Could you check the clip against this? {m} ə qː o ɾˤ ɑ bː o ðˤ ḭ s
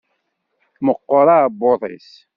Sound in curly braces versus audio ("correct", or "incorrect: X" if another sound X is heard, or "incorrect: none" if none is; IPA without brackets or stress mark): correct